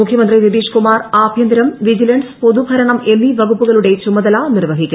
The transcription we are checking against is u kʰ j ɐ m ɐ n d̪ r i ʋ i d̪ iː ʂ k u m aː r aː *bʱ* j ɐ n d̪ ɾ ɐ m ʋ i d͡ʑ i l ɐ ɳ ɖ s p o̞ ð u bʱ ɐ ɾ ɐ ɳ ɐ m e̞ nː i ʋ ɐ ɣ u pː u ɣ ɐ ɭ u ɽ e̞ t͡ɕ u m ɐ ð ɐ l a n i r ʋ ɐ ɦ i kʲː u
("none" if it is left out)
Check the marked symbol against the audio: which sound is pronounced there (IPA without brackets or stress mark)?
bʱ